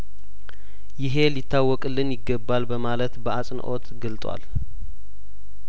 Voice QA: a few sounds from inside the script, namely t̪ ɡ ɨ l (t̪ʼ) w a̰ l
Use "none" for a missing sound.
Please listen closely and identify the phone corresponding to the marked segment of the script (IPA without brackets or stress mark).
t̪ʼ